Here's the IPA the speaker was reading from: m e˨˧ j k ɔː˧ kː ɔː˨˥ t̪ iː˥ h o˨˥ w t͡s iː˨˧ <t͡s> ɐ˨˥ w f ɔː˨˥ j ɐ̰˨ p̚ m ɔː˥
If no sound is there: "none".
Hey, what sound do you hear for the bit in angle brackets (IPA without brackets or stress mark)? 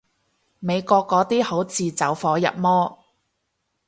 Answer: t͡s